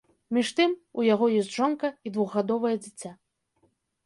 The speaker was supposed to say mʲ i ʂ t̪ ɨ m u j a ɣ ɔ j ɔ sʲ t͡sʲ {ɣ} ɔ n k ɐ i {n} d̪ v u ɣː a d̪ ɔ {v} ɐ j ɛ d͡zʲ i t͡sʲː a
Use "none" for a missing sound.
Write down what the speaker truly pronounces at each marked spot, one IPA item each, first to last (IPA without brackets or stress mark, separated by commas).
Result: ʐ, none, v